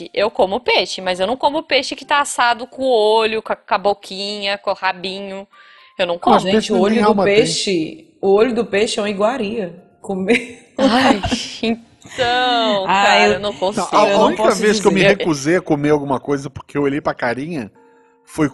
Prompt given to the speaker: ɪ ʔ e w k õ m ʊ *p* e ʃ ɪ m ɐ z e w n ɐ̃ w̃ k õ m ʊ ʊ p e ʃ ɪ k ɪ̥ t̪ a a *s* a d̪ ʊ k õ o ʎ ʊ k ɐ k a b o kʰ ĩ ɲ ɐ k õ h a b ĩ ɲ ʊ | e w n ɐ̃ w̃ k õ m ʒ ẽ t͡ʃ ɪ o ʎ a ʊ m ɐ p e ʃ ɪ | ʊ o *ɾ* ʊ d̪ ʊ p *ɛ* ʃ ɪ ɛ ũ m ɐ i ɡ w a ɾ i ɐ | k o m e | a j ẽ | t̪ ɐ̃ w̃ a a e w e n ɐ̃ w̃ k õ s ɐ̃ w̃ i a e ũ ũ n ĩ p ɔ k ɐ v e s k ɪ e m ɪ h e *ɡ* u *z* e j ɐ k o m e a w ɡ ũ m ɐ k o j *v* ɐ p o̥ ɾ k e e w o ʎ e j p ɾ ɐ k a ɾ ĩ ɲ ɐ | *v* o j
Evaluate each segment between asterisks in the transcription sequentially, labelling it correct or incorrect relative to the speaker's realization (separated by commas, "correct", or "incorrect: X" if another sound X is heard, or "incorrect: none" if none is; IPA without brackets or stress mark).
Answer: correct, correct, incorrect: ʎ, incorrect: e, incorrect: k, correct, incorrect: z, incorrect: f